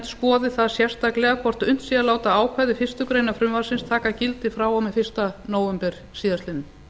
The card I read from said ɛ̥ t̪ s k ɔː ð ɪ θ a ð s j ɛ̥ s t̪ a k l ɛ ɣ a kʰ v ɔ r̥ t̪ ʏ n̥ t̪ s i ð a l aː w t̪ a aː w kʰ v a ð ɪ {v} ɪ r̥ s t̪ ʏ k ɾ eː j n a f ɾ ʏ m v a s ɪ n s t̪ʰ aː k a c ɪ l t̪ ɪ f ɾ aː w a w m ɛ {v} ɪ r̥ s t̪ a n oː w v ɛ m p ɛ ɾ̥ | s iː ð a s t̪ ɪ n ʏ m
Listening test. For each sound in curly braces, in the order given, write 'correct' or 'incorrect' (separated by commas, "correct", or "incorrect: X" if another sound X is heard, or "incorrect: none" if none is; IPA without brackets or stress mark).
incorrect: f, incorrect: f